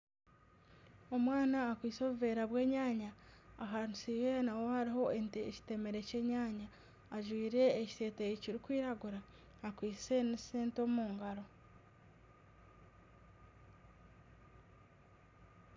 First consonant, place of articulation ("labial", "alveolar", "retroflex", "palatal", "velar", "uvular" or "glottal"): labial